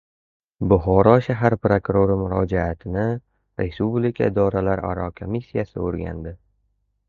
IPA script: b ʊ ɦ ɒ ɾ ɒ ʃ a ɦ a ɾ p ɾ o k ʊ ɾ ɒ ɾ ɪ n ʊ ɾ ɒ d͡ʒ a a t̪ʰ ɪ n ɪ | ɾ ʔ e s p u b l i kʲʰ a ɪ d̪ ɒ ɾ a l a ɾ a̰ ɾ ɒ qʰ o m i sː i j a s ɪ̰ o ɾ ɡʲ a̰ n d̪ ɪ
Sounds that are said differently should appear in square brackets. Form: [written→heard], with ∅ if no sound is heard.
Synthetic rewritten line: b ʊ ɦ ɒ ɾ ɒ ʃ a ɦ a ɾ p ɾ o k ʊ ɾ [ɒ→o] ɾ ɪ [n→m] ʊ ɾ ɒ d͡ʒ a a t̪ʰ ɪ n ɪ | ɾ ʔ e s p u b l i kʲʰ a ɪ d̪ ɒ ɾ a l a ɾ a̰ ɾ ɒ [qʰ→kʰ] o m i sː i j a s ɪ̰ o ɾ ɡʲ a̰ n d̪ ɪ